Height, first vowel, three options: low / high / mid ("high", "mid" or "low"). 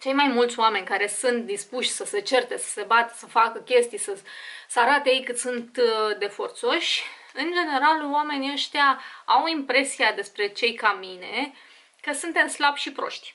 mid